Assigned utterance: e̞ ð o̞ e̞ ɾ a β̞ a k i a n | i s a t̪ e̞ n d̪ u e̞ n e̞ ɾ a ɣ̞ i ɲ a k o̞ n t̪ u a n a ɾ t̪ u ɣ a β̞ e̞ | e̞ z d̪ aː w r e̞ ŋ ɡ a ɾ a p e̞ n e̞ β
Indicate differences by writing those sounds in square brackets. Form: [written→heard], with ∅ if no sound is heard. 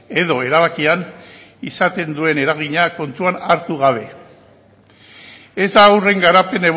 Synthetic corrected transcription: e̞ ð o̞ e̞ ɾ a β̞ a k i a n | i s a t̪ e̞ n d̪ u e̞ n e̞ ɾ a ɣ̞ i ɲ a k o̞ n t̪ u a n a ɾ t̪ u ɣ a β̞ e̞ | e̞ z d̪ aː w r e̞ ŋ ɡ a ɾ a p e̞ n e̞ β

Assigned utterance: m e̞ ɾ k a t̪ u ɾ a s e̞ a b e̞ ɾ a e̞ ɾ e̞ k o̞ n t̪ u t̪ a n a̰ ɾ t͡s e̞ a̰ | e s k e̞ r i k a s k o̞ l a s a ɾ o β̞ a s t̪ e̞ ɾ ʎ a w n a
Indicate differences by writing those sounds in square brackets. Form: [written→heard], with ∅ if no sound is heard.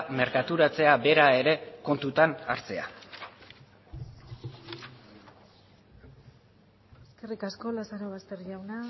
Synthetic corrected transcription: m e̞ ɾ k a t̪ u ɾ a [s→t͡s] e̞ a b e̞ ɾ a e̞ ɾ e̞ k o̞ n t̪ u t̪ a n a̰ ɾ t͡s e̞ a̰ | e s k e̞ r i k a s k o̞ l a s a ɾ o β̞ a s t̪ e̞ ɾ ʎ a w n a

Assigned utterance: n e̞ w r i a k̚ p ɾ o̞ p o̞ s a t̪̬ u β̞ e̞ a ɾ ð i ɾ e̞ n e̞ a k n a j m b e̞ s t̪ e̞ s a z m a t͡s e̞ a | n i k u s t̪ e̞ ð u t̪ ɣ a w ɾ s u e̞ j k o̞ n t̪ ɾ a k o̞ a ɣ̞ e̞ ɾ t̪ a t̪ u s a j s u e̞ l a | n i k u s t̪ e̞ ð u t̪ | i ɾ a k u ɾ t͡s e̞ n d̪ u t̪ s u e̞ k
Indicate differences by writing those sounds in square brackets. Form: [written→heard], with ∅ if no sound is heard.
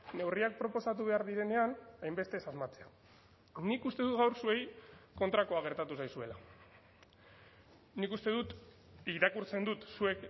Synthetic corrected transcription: n e̞ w r i a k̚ p ɾ o̞ p o̞ s a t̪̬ u β̞ e̞ a ɾ ð i ɾ e̞ n e̞ a [k→∅] n a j m b e̞ s t̪ e̞ s a z m a t͡s e̞ a | n i k u s t̪ e̞ ð u t̪ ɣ a w ɾ s u e̞ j k o̞ n t̪ ɾ a k o̞ a ɣ̞ e̞ ɾ t̪ a t̪ u s a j s u e̞ l a | n i k u s t̪ e̞ ð u t̪ | i ɾ a k u ɾ t͡s e̞ n d̪ u t̪ s u e̞ k

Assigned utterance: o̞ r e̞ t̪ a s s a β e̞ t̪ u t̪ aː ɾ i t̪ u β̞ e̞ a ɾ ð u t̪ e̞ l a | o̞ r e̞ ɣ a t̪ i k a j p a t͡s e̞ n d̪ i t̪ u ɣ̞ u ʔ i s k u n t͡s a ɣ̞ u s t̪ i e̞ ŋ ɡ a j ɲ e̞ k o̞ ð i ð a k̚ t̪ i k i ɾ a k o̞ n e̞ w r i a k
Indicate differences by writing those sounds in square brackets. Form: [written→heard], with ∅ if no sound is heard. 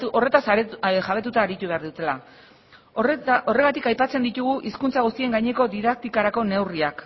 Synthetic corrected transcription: o̞ r e̞ t̪ a s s a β e̞ t̪ u t̪ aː ɾ i t̪ u β̞ e̞ a ɾ ð u t̪ e̞ l a | o̞ r e̞ ɣ a t̪ i k a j p a t͡s e̞ n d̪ i t̪ u ɣ̞ u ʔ i s k u n t͡s a ɣ̞ u s t̪ i e̞ ŋ ɡ a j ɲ e̞ k o̞ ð i ð a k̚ t̪ i k [i→a] ɾ a k o̞ n e̞ w r i a k

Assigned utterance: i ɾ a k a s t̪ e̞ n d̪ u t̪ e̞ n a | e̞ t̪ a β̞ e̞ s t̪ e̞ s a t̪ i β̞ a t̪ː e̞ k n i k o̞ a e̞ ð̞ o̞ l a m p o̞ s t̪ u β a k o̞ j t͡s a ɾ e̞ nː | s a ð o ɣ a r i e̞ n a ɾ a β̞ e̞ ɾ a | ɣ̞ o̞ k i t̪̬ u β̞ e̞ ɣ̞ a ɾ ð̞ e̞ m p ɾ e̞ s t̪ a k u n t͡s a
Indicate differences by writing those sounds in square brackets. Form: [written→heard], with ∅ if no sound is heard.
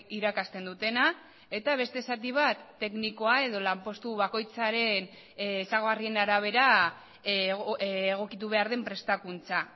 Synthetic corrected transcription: i ɾ a k a s t̪ e̞ n d̪ u t̪ e̞ n a | e̞ t̪ a β̞ e̞ s t̪ e̞ s a t̪ i β̞ a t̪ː e̞ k n i k o̞ a e̞ ð̞ o̞ l a m p o̞ s t̪ u β a k o̞ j t͡s a ɾ e̞ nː | s a [ð→ɣ] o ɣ a r i e̞ n a ɾ a β̞ e̞ ɾ a | ɣ̞ o̞ k i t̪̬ u β̞ e̞ [ɣ̞→∅] a ɾ ð̞ e̞ m p ɾ e̞ s t̪ a k u n t͡s a

